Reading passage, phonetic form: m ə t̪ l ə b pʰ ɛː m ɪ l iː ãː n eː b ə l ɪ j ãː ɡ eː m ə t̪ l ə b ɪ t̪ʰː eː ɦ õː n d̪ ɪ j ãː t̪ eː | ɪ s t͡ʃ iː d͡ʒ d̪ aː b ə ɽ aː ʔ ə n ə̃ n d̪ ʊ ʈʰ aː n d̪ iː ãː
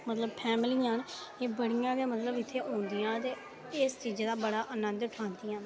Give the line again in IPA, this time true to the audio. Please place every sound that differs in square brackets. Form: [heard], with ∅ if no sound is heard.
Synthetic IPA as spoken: m ə t̪ l ə b pʰ ɛː m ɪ l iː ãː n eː b ə [ɽ] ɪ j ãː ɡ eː m ə t̪ l ə b ɪ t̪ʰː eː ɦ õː n d̪ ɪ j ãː t̪ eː | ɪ s t͡ʃ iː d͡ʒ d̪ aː b ə ɽ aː ʔ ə n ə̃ n d̪ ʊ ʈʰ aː n d̪ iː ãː